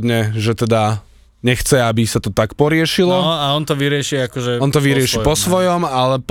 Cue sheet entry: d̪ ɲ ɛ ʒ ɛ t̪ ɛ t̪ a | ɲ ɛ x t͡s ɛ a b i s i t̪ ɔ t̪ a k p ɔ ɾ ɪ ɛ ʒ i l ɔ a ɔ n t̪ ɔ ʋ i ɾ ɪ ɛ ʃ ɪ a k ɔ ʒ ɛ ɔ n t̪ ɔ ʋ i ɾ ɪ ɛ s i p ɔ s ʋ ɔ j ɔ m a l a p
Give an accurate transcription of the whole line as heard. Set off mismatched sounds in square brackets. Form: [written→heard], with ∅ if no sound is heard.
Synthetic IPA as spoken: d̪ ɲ ɛ ʒ ɛ t̪ ɛ [t̪→d̪] a | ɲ ɛ x t͡s ɛ a b i s [i→a] t̪ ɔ t̪ a k p ɔ ɾ ɪ ɛ [ʒ→ʃ] i l ɔ a ɔ n t̪ ɔ ʋ i ɾ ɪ ɛ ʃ [ɪ→i] a k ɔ ʒ ɛ ɔ n t̪ ɔ ʋ i ɾ ɪ ɛ [s→ʃ] i p ɔ s ʋ ɔ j ɔ m a l [a→ɛ] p